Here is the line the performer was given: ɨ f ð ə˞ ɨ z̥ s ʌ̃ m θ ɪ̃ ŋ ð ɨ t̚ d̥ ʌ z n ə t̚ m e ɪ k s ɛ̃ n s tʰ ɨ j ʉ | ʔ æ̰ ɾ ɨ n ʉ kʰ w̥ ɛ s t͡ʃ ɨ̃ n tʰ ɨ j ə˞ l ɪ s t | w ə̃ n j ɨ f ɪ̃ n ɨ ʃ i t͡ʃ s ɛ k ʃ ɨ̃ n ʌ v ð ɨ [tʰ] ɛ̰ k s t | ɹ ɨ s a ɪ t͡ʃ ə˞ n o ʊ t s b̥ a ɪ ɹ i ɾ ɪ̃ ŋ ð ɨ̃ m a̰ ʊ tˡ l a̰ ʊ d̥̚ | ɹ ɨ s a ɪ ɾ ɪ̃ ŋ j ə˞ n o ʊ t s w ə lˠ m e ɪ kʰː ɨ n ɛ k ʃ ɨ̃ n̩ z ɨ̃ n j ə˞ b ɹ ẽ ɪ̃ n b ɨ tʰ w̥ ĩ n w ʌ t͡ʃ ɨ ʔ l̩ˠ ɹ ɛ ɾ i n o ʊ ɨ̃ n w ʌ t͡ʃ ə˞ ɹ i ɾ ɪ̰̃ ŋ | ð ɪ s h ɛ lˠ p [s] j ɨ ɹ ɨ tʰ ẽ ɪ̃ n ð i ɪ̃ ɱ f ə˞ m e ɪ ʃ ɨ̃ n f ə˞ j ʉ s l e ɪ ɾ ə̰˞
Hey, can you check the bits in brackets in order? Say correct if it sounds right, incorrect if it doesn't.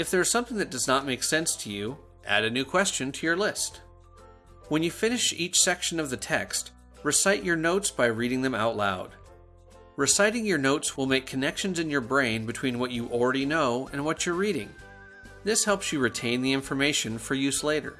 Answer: correct, correct

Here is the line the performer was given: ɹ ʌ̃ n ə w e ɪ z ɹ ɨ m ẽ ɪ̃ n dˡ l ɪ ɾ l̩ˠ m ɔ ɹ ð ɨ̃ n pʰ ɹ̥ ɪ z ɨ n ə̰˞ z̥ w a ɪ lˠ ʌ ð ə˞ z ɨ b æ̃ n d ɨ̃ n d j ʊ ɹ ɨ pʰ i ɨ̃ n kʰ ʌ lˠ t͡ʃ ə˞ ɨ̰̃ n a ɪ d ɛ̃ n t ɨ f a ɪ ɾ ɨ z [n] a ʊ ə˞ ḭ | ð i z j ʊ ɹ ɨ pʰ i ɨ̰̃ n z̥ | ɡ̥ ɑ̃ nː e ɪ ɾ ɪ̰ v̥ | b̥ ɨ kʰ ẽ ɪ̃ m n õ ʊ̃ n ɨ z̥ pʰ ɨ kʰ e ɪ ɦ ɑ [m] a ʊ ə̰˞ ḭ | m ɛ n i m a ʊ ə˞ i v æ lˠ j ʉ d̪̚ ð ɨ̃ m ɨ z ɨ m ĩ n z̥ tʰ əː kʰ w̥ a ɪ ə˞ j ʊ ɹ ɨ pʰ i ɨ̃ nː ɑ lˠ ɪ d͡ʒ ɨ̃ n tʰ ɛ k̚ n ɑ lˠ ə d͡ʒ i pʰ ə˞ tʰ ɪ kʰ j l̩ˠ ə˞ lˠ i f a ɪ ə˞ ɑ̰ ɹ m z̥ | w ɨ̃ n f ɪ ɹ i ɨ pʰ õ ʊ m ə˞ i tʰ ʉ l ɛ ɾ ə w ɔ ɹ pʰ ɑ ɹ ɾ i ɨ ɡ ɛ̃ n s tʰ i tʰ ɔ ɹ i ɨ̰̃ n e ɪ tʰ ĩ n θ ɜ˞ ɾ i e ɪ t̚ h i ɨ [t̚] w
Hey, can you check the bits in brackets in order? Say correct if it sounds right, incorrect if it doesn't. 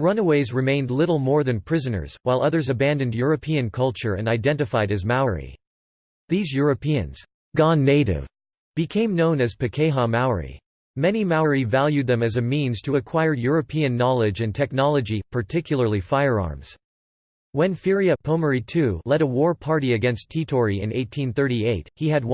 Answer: incorrect: m, correct, incorrect: d̚

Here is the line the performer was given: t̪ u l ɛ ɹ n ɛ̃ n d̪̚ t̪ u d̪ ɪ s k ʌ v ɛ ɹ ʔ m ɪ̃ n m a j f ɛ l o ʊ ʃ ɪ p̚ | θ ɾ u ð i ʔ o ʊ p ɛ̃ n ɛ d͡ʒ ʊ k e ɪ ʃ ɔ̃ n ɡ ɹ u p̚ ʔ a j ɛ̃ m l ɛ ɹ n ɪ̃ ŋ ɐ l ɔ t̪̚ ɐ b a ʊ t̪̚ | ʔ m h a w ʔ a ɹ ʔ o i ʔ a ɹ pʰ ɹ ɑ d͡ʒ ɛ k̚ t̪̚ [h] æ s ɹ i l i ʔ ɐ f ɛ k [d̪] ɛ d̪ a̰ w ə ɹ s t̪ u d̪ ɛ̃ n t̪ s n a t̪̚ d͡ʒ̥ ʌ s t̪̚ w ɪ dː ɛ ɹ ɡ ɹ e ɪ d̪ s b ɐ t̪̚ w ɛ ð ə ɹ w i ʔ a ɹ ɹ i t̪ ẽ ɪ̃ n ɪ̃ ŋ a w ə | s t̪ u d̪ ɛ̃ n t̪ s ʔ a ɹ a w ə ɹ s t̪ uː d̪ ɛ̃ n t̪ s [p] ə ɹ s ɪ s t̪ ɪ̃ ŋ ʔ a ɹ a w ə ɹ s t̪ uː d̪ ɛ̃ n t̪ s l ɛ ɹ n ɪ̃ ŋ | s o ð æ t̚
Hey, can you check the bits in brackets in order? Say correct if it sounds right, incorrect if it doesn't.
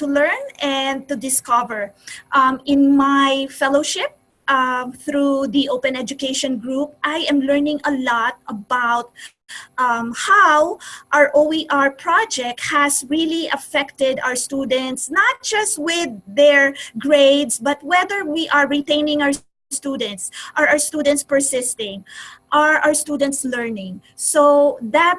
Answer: correct, incorrect: t̪, correct

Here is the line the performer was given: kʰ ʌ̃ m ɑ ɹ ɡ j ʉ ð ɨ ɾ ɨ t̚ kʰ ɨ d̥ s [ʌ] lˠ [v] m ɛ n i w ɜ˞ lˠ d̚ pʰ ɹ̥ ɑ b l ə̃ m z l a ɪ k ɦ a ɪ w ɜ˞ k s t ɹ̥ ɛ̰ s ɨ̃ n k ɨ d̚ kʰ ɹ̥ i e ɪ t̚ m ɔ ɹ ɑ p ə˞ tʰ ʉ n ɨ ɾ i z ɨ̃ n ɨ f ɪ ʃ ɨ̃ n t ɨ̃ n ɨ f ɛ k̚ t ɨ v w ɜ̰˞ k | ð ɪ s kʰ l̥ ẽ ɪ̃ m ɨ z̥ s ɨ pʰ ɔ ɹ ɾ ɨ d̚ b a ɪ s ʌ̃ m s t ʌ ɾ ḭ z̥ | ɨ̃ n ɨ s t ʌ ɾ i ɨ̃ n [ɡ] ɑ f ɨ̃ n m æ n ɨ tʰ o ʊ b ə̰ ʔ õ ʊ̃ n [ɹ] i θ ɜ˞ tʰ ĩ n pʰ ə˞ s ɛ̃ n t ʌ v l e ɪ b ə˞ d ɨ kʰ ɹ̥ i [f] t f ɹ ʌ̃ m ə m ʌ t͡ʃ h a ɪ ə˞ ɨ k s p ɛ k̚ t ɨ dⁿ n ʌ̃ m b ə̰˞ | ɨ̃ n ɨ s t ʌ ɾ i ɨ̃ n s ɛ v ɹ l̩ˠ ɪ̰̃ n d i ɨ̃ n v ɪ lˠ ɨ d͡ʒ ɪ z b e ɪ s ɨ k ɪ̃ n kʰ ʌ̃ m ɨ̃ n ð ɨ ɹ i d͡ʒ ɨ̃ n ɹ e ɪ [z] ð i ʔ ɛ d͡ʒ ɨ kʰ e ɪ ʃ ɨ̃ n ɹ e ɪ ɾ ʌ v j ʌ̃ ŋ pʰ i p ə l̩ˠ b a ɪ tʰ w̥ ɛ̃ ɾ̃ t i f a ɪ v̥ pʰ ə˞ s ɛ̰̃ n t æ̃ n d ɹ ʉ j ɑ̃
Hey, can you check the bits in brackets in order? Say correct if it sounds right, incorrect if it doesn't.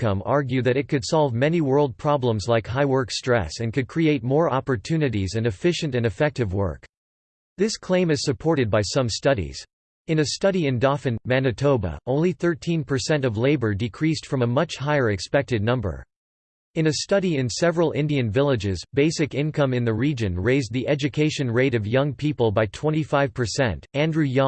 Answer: incorrect: ɑ, correct, incorrect: d, incorrect: l, incorrect: s, correct

